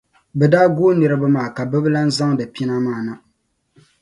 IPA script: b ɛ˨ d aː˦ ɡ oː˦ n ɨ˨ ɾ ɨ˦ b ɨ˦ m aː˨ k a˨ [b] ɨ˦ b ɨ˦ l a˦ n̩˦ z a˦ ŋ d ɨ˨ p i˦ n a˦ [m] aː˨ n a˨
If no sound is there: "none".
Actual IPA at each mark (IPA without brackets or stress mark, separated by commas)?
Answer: b, m